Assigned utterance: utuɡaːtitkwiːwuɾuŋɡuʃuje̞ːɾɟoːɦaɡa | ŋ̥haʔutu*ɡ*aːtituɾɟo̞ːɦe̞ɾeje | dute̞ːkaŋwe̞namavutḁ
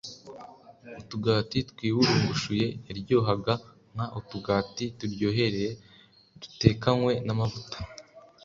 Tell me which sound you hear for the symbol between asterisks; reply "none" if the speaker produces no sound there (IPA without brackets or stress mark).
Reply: ɡ